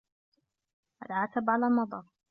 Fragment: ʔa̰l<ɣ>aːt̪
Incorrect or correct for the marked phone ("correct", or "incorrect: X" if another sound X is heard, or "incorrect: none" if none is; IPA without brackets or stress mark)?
incorrect: ʕ